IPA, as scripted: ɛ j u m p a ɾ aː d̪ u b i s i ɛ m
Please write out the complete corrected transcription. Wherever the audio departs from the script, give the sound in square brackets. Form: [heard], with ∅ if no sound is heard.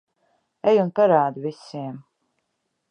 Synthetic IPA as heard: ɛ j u [n] p a ɾ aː d̪ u [v] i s i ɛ m